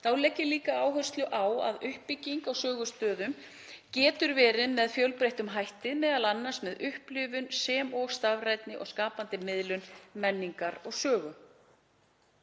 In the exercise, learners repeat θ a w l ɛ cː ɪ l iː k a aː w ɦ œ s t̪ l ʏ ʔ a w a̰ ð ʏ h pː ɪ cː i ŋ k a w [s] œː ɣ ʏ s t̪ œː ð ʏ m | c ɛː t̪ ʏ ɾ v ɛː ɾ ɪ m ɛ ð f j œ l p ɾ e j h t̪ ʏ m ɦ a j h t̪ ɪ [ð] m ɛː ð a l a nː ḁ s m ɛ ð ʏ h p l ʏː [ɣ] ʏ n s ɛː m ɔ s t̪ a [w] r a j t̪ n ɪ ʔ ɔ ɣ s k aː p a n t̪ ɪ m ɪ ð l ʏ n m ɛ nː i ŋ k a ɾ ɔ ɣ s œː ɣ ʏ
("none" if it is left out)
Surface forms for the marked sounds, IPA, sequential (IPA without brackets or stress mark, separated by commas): s, ð, v, v